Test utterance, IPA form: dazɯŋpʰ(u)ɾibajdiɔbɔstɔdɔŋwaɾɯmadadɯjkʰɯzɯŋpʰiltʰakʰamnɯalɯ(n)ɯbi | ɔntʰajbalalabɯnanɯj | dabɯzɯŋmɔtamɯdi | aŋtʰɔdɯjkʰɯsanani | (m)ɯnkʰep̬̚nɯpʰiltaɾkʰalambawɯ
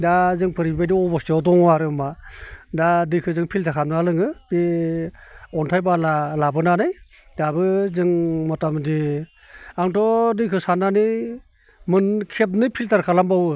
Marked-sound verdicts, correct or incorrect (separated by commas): incorrect, incorrect, correct